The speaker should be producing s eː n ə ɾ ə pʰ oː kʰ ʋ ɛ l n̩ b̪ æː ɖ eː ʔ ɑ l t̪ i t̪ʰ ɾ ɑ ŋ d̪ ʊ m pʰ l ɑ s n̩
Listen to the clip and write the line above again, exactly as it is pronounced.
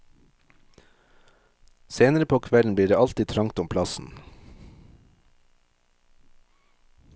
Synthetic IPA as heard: s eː n ə ɾ ə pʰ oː kʰ ʋ ɛ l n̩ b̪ iː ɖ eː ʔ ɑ l t̪ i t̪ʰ ɾ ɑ ŋ t̪ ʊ m pʰ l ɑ s n̩